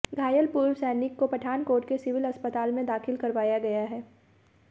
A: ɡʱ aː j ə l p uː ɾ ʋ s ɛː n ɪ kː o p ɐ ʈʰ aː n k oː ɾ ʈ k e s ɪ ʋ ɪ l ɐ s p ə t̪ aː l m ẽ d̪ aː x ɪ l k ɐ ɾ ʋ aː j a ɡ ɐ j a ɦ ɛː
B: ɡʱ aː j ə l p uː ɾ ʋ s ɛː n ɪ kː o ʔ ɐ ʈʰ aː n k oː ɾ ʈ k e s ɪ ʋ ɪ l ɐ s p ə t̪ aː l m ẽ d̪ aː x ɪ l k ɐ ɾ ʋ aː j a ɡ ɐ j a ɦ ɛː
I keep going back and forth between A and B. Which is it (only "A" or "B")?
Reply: A